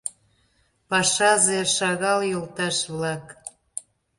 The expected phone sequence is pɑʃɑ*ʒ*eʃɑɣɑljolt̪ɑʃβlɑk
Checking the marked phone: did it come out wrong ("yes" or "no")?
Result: yes